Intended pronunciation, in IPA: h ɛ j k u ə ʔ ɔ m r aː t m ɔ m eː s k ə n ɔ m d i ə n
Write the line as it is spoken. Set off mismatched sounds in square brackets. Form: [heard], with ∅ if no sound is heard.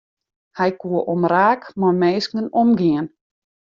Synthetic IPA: h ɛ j k u ə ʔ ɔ m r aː [k] m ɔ m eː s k ə n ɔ m [ɡ] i ə n